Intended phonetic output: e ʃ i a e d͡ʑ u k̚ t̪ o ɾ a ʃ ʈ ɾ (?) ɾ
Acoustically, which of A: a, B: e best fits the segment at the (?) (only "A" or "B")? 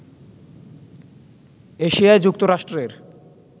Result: B